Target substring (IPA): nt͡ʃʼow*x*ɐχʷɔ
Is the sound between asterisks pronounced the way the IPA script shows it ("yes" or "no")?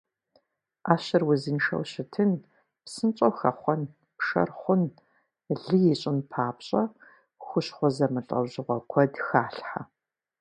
yes